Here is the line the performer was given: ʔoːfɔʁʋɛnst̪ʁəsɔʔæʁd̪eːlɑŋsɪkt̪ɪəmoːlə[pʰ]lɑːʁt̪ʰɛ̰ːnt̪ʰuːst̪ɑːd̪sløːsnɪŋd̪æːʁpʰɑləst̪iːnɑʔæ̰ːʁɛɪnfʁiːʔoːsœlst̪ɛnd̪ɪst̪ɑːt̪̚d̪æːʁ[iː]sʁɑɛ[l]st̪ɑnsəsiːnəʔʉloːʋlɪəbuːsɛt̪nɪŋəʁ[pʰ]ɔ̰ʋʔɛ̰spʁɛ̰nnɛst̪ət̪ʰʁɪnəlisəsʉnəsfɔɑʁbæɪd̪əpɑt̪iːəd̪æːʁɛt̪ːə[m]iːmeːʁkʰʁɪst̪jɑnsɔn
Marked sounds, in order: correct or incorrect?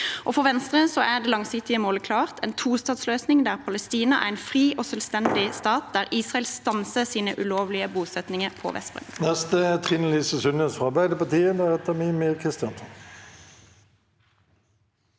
incorrect: kʰ, correct, correct, correct, correct

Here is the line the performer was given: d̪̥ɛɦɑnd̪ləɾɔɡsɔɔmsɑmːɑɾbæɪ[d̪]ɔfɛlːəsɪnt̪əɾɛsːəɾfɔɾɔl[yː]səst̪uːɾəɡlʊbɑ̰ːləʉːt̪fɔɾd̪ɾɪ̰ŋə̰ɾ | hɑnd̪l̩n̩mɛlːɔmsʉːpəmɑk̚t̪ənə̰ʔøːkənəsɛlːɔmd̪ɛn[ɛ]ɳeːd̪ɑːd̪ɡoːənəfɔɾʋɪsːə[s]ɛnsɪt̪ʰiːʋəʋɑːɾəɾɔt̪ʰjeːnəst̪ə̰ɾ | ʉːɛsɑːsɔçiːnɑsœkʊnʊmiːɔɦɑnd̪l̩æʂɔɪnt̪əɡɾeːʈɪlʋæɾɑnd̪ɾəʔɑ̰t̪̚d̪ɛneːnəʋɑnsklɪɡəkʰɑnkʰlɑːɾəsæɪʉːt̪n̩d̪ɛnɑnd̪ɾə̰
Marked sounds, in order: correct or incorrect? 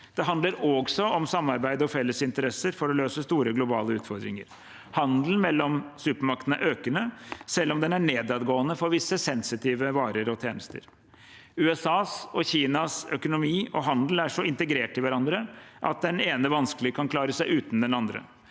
correct, incorrect: øː, incorrect: æ, correct

